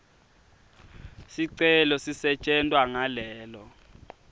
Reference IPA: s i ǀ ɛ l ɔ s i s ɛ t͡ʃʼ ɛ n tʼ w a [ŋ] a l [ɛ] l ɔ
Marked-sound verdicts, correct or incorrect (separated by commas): correct, incorrect